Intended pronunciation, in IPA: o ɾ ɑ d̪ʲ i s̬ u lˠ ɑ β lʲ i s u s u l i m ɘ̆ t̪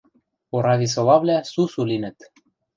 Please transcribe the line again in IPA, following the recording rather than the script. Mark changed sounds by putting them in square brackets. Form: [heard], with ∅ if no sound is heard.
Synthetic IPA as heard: o ɾ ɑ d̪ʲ i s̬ [o] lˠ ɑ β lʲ [æ] s u s u l i [n] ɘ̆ t̪